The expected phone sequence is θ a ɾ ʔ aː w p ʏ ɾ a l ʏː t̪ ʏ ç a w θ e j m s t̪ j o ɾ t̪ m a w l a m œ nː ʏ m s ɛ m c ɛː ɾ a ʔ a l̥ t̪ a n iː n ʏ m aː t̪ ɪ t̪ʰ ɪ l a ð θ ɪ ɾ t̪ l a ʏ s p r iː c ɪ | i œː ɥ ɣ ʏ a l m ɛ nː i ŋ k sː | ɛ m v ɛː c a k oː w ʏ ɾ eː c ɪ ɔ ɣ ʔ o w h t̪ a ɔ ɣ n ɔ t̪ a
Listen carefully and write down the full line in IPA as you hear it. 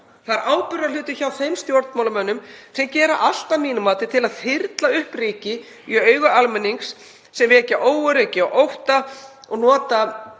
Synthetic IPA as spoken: θ a ɾ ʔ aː w p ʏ ɾ a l ʏː t̪ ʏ ç a w θ e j m s t̪ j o ɾ t̪ m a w l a m œ nː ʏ m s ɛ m c ɛː ɾ a ʔ a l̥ t̪ a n iː n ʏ m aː t̪ ɪ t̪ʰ ɪ l a ð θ ɪ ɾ t̪ l a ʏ h p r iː c ɪ | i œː ɥ ɣ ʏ a l m ɛ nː i ŋ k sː | ɛ m v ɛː c a ʔ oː w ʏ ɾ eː c ɪ ɔ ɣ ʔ o w h t̪ a ɔ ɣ n ɔː t̪ a

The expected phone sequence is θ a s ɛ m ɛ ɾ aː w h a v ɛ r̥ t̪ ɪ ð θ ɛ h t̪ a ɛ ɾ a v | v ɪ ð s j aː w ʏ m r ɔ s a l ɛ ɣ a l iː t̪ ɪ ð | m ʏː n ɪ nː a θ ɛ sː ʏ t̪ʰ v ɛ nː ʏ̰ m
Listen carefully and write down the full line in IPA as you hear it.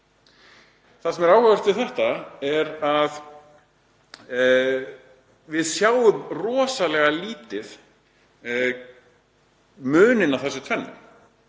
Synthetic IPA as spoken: θ a s ɛ m ɛ ɾ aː w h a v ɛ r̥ t̪ ɪ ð θ ɛ h t̪ a ɛ ɾ a ð | v ɪ ð s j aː w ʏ m r ɔː s a l ɛ ɣ a l iː t̪ ɪ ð | m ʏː n ɪ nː a θ ɛ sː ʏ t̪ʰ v ɛ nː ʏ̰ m

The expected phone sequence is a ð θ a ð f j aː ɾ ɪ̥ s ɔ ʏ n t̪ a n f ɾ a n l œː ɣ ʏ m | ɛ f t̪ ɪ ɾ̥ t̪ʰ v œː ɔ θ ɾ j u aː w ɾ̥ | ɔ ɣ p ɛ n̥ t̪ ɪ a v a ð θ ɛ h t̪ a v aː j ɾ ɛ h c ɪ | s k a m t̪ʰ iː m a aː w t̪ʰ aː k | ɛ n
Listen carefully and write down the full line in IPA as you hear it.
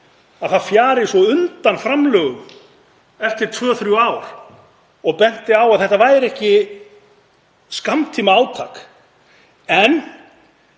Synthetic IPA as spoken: a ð θ a ð f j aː ɾ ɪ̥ s ɔ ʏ n t̪ a n f ɾ a m l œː ɣ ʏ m | ɛ f t̪ ɪ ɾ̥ t̪ʰ v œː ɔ θ ɾ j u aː w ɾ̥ | ɔ ɣ p ɛ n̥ t̪ ɪ a w a ð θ ɛ h t̪ a v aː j ɾ ɛ h c ɪ | s k a m t̪ʰ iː m a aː w t̪ʰ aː k | ɛ n

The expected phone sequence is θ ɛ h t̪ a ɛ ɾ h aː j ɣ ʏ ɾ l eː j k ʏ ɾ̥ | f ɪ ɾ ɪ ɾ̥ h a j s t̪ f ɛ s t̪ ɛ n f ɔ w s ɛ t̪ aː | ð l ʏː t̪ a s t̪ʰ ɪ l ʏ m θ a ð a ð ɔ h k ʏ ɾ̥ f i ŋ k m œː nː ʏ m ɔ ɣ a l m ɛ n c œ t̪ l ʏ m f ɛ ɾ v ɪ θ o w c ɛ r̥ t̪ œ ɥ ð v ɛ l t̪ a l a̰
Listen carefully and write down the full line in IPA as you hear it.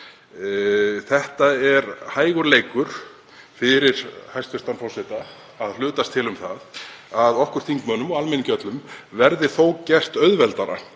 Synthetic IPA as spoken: θ ɛ h t̪ a ɛ ɾ h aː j ɣ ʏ ɾ l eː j k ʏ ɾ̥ | f ɪ ɾ ɪ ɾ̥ h a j s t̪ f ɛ s t̪ a n f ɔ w s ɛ t̪ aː | ð l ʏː t̪ a s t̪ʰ ɪ l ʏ m θ a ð a ð ɔ h k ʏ ɾ̥ θ i ŋ k m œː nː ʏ m ɔ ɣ a l m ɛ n c œ t̪ l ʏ m v ɛ ɾ ð ɪ θ o w c ɛ r̥ t̪ œ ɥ ð v ɛ l t̪ a ɾ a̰

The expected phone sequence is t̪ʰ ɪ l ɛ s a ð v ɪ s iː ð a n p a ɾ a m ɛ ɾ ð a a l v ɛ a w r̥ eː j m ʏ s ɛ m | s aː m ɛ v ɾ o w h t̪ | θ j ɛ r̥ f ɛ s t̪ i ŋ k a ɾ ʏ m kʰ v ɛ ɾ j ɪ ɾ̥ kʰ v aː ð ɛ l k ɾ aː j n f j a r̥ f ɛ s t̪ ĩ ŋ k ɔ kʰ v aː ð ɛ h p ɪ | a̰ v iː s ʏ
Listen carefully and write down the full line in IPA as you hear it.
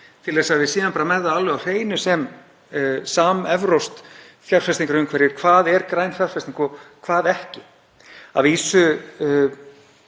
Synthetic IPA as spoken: t̪ʰ ɪ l ɛ s a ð v ɪ s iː ð a n p a ɾ a m ɛ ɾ ð a a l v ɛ a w r̥ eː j n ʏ s ɛ m | s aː m ɛ v ɾ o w s t̪ | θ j a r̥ f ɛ s t̪ i ŋ k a ɾ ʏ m kʰ v ɛ ɾ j ɪ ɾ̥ kʰ v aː ð ɛ ɾ k ɾ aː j n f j a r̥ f ɛ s t̪ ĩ ŋ k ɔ kʰ v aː ð ɛ h c ɪ | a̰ v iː s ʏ

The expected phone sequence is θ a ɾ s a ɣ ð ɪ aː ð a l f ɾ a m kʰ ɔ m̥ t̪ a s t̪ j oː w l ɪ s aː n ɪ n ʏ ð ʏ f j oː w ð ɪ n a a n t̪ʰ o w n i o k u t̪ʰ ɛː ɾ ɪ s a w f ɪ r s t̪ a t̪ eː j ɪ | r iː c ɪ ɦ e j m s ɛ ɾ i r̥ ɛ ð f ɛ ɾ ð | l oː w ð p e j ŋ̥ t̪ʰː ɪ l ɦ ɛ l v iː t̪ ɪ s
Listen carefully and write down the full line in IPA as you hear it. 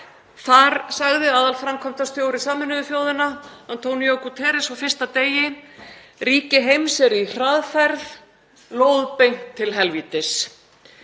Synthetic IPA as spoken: θ a ɾ s a ɣ ð ɪ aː ð a l f ɾ a m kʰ ɔ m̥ t̪ a s t̪ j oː w ɾ ɪ s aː m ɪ n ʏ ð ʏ f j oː w ð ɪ n a a n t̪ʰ o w n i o k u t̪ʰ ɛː ɾ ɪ s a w f ɪ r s t̪ a t̪ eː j ɪ | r iː c ɪ ɦ e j m s ɛ ɾ i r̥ a ð f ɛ ɾ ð | l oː w ð p e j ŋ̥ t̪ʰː ɪ l ɦ ɛ l v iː t̪ ɪ s

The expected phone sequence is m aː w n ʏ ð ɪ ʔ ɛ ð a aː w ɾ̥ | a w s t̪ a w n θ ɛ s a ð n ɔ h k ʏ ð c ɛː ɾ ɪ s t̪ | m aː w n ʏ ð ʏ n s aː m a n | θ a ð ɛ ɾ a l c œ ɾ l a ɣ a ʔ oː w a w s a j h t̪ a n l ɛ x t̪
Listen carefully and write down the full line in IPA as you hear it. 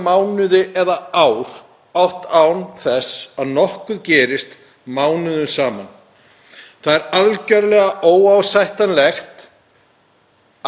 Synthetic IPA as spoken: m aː w n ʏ ð ɪ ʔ ɛ ð a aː w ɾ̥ | a w h t̪ a w n θ ɛ s a ð n ɔ h k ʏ ð c ɛː ɾ ɪ s t̪ | m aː w n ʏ ð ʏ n s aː m a n | θ a ð ɛ ɾ a l c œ ɾ l ɛ ɣ a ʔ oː w a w s a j h t̪ a n l ɛ x t̪

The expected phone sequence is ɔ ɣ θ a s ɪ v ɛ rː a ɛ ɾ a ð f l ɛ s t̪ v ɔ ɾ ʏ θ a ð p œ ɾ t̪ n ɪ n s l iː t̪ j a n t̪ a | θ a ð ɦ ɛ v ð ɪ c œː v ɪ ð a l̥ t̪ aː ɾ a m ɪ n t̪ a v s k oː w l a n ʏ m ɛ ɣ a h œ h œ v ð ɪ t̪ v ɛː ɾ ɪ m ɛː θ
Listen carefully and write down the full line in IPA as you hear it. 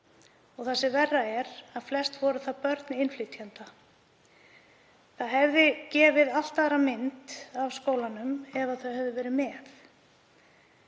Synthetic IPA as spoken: ɔ ɣ θ a s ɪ v ɛ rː a ɛ ɾ a ð f l ɛ s t̪ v ɔ ɾ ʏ θ a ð p œ ɾ t̪ n ɪ n f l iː t̪ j a n t̪ a | θ a ð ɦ ɛ v ð ɪ c ɛː v ɪ ð a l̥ t̪ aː ɾ a m ɪ n t̪ a v s k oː w l a n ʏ m ɛ v a θ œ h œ v ð ɪ v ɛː ɾ ɪ m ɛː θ

